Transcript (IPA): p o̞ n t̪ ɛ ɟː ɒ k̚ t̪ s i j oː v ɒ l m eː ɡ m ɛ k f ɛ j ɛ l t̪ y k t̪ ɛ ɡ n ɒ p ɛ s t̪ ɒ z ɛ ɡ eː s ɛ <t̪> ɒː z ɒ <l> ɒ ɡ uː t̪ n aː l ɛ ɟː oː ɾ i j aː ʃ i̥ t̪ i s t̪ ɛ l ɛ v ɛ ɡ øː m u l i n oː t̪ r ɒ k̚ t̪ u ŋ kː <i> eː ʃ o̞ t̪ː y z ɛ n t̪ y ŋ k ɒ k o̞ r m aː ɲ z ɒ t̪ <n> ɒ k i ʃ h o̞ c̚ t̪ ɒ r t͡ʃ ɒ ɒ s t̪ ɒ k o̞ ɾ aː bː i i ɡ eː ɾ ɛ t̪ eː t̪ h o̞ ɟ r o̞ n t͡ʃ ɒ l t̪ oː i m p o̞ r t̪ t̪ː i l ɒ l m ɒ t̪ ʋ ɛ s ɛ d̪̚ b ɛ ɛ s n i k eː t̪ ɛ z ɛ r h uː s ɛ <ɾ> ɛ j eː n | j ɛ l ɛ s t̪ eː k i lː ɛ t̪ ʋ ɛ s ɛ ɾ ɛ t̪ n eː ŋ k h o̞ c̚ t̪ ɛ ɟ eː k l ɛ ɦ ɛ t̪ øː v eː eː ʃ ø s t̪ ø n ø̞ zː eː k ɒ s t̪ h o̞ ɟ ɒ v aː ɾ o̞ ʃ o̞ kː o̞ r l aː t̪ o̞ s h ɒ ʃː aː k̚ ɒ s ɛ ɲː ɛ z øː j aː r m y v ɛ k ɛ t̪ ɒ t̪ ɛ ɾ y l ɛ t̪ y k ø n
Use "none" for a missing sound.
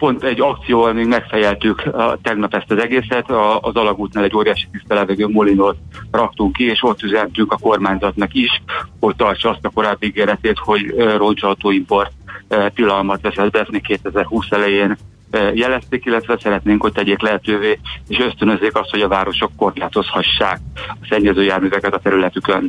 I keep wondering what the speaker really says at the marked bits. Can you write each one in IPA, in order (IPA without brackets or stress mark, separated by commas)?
t̪, l, i, n, l